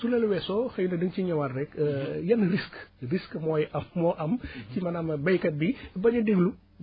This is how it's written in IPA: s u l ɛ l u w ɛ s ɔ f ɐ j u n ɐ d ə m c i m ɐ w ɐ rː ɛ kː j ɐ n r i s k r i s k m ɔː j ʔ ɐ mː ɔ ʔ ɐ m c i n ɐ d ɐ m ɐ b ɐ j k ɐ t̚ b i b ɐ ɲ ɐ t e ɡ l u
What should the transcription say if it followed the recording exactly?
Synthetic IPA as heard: s u l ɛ l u w ɛ s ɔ x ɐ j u n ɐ d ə ŋ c i ɲ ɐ w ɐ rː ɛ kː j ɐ n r i s k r i s k m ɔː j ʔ ɐ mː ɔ ʔ ɐ m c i m ɐ n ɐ m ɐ b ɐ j k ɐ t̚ b i b ɐ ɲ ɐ d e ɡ l u